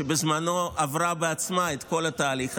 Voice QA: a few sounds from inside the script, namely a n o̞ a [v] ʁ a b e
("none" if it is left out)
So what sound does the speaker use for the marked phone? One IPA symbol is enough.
v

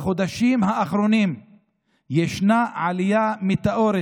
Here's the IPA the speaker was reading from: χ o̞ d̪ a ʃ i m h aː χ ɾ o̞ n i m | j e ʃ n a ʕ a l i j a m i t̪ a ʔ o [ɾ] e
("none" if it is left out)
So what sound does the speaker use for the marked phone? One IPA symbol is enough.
ɾ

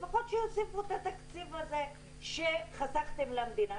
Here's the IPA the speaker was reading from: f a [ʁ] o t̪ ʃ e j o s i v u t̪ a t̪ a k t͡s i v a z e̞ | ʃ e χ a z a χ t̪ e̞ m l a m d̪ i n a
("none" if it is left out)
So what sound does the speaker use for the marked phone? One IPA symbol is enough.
χ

